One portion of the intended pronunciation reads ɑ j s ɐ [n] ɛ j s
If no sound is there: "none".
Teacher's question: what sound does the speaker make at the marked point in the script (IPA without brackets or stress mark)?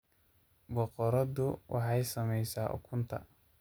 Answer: m